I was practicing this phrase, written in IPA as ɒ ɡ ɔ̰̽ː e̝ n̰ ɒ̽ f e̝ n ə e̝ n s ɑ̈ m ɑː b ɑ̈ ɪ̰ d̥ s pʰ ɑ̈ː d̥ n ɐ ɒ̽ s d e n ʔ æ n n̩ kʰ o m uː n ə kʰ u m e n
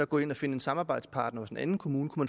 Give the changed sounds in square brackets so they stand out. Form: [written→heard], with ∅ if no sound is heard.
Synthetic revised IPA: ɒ ɡ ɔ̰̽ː e̝ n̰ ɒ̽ f e̝ n ə e̝ n s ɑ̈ m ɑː b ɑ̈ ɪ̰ d̥ s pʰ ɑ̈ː d̥ n ɐ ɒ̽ s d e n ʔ æ n n̩ kʰ o m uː n ə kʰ u m [e→æ] n